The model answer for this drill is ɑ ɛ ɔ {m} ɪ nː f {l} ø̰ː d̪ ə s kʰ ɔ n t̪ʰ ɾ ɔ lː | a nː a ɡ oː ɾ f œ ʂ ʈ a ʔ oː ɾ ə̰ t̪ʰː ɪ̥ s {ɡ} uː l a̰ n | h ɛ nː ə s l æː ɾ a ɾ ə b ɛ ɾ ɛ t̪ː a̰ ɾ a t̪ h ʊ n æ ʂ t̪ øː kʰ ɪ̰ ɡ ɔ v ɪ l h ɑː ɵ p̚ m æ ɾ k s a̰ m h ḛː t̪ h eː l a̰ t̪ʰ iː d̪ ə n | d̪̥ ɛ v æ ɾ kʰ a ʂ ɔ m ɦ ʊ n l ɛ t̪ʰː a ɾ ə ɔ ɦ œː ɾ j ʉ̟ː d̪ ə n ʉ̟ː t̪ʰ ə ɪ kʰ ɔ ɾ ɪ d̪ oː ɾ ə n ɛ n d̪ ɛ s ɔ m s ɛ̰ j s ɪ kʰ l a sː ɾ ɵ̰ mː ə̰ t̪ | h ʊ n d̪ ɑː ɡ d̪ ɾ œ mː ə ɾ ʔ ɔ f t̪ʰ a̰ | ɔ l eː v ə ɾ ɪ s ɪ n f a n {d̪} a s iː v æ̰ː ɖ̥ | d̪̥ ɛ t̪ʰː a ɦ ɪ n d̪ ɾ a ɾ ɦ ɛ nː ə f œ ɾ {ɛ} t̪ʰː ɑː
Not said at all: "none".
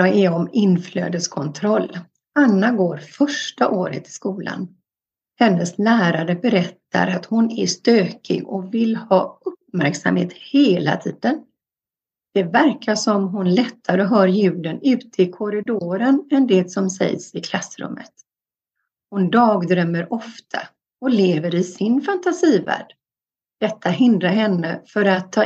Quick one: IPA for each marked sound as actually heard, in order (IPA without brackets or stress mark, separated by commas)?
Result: m, l, k, t̪, a